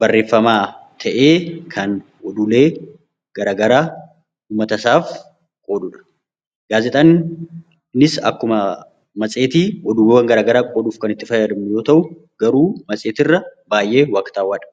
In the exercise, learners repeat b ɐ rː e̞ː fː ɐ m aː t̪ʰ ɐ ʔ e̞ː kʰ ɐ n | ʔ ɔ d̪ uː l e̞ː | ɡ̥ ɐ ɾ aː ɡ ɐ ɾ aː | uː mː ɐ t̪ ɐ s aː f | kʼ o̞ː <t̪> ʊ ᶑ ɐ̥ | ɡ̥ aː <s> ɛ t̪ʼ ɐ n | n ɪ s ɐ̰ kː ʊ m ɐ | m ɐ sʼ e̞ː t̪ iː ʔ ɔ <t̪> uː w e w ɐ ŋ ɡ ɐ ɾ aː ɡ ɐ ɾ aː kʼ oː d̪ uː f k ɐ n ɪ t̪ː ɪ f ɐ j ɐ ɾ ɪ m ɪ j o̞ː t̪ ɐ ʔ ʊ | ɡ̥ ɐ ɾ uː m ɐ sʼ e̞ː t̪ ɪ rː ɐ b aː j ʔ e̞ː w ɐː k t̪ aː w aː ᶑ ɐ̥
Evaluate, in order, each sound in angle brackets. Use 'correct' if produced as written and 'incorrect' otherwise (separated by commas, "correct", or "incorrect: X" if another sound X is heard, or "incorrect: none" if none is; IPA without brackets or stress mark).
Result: incorrect: d̪, incorrect: z, incorrect: d̪